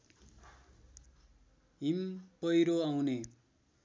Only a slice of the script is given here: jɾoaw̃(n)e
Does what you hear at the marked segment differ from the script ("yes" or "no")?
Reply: no